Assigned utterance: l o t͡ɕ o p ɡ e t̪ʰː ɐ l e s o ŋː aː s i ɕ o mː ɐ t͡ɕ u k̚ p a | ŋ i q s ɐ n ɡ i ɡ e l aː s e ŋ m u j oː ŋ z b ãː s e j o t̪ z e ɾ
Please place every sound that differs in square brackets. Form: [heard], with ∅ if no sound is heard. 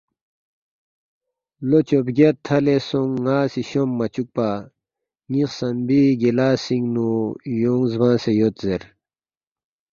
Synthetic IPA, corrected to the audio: l o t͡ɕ o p ɡ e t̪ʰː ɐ l e s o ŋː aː s i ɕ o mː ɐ t͡ɕ u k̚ p a | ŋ i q s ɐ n [b] i ɡ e l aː s [i] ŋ [n] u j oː ŋ z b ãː s e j o t̪ z e ɾ